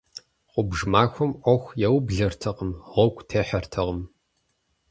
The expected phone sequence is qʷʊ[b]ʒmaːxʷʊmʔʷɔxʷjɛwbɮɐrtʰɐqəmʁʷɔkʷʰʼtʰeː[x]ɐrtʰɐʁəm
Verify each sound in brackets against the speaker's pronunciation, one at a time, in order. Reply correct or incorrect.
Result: correct, incorrect: ħ

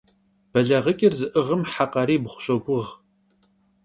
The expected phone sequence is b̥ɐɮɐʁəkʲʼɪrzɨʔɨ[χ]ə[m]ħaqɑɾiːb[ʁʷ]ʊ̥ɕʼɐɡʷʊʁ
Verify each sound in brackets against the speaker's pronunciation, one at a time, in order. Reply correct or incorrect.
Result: incorrect: ʁ, correct, incorrect: χʷ

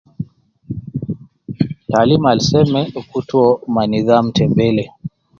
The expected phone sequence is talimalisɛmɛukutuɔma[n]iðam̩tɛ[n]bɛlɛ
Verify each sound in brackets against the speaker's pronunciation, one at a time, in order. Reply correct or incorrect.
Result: correct, incorrect: m

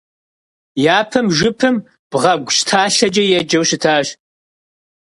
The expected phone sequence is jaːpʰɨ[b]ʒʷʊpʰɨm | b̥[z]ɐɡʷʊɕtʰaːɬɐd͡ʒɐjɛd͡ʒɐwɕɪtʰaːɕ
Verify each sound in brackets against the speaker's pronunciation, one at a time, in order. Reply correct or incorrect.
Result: incorrect: m, incorrect: ʁ

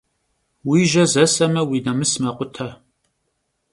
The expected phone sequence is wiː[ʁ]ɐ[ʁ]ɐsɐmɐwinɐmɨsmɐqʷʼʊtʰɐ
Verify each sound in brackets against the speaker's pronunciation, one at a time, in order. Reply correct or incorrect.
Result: incorrect: ʒ, incorrect: z

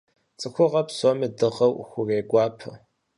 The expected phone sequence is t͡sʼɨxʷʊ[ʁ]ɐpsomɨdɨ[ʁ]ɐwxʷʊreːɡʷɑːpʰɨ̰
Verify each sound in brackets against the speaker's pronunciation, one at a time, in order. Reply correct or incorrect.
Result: correct, correct

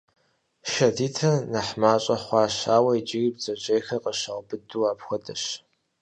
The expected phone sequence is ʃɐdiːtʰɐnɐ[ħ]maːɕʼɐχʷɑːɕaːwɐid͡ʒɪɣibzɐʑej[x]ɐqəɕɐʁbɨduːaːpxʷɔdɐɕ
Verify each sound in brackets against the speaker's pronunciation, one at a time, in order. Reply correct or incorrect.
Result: correct, correct

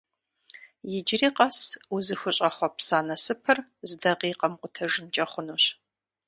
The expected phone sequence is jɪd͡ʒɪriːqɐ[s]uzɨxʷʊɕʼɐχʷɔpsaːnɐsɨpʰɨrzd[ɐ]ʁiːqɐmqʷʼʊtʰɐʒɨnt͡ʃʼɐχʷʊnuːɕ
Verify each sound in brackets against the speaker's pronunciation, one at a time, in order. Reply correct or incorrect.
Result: correct, correct

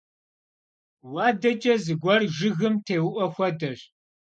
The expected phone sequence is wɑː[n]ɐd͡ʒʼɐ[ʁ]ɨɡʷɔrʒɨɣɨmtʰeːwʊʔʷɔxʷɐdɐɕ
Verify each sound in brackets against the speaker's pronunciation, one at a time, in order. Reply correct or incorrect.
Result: incorrect: d, incorrect: z

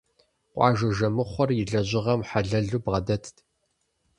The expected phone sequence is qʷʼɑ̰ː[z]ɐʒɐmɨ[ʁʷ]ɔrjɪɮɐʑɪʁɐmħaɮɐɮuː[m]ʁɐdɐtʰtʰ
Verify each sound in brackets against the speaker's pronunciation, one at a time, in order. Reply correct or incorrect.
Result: incorrect: ʒ, incorrect: χʷ, incorrect: b

